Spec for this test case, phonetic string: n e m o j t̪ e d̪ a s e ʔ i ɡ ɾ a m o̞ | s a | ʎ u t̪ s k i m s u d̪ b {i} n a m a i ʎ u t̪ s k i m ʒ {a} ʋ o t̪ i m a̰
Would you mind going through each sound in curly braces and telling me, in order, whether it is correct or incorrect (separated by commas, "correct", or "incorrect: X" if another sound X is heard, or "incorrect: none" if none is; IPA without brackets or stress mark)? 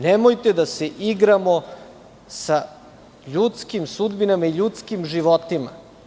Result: correct, incorrect: i